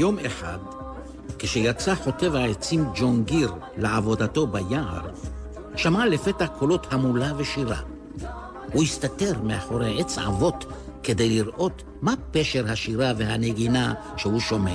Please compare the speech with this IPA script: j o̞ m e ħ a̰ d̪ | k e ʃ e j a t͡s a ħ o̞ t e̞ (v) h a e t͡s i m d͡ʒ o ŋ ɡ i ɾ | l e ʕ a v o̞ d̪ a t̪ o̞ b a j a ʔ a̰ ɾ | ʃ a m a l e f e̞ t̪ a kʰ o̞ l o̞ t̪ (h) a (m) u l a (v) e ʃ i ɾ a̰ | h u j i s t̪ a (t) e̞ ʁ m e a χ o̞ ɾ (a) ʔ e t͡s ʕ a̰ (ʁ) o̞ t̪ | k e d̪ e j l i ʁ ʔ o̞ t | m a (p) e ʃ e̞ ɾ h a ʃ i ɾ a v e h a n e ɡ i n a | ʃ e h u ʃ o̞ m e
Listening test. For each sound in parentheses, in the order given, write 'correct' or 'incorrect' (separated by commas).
correct, correct, correct, correct, correct, incorrect, incorrect, correct